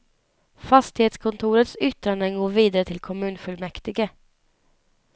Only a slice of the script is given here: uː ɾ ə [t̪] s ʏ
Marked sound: correct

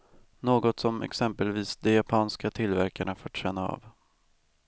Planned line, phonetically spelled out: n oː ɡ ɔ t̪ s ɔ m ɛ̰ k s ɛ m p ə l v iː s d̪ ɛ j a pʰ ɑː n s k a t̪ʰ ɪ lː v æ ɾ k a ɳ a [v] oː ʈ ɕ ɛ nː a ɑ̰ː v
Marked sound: incorrect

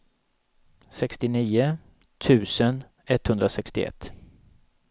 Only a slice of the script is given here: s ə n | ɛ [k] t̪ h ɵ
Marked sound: incorrect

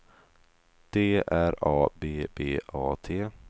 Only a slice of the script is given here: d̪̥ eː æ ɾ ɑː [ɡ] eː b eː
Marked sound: incorrect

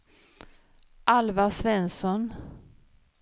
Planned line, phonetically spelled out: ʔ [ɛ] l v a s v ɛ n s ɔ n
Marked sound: incorrect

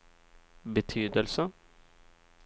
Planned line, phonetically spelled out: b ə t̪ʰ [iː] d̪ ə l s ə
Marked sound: incorrect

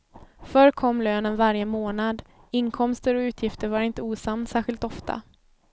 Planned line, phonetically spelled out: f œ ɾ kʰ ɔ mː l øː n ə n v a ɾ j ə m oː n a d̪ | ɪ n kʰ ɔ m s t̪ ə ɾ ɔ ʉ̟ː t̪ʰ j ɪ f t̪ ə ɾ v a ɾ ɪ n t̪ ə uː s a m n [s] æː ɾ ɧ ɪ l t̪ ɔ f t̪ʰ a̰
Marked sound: correct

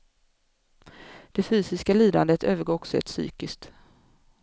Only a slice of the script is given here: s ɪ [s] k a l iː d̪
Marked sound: correct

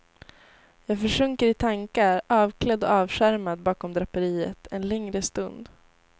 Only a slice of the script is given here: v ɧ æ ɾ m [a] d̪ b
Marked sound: correct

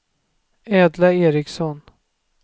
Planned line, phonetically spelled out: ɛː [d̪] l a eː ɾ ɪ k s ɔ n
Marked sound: correct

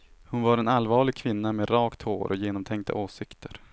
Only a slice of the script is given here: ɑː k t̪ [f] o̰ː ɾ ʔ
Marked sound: incorrect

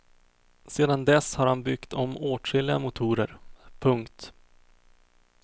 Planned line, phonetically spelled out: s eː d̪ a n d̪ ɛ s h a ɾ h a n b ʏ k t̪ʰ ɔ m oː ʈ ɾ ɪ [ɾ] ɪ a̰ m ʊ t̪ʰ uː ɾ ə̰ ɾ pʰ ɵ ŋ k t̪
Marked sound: incorrect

